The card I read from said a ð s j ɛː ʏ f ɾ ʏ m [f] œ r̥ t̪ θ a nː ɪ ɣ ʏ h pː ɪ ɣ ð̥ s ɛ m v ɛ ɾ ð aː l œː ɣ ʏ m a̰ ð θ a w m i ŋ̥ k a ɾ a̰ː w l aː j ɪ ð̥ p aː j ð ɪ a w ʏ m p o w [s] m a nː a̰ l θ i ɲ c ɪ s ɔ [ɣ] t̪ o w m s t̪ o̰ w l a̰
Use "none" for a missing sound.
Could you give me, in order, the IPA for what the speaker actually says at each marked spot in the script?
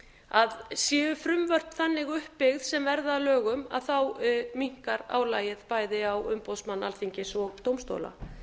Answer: v, s, ɣ

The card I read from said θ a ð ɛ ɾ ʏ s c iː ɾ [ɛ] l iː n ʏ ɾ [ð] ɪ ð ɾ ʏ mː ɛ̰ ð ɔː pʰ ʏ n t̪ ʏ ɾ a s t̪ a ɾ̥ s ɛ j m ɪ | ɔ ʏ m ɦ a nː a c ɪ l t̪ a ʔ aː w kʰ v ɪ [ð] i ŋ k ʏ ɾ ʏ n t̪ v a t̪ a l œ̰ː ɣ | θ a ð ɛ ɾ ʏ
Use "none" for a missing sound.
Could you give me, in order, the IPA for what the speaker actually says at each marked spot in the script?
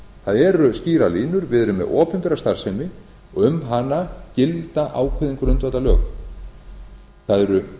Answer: a, v, ð

